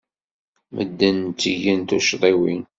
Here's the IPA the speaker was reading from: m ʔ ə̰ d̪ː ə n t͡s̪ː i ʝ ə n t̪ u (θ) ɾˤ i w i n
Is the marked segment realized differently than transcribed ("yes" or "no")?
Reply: yes